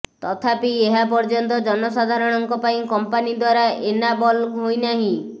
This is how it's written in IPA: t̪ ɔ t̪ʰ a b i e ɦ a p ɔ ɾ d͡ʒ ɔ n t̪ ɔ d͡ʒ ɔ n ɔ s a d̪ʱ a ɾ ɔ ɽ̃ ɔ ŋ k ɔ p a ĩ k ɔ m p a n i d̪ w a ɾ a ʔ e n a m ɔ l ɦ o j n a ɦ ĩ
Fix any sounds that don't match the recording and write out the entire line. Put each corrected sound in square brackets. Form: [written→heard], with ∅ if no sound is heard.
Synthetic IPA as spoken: t̪ ɔ t̪ʰ a [b→p] i e ɦ a p ɔ ɾ d͡ʒ ɔ n t̪ ɔ d͡ʒ ɔ n ɔ s a d̪ʱ a ɾ ɔ ɽ̃ ɔ ŋ k ɔ p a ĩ k ɔ m p a n i d̪ w a ɾ a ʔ e n a [m→b] ɔ l ɦ o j n a ɦ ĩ